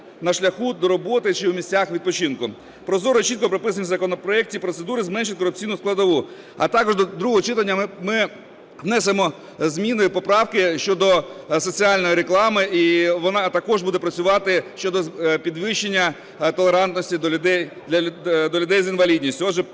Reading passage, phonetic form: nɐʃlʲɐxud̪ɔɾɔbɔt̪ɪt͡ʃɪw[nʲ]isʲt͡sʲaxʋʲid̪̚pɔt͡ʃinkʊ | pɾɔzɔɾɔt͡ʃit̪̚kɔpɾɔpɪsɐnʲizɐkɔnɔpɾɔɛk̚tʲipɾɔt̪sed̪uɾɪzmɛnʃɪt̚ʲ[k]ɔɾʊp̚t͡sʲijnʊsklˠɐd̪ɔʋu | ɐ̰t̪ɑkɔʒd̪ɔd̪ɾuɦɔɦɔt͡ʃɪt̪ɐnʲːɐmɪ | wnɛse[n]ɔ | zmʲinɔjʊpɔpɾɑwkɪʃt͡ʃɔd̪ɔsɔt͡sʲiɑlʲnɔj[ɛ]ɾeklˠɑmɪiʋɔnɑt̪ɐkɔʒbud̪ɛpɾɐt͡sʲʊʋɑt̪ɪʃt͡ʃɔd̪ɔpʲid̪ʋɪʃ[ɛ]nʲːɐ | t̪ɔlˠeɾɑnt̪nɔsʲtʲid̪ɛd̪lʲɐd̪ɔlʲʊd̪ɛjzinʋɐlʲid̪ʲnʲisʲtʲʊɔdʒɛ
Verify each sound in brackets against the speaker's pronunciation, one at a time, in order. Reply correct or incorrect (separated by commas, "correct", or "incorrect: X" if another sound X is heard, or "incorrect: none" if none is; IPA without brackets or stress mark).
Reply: incorrect: mʲ, correct, incorrect: m, incorrect: i, incorrect: e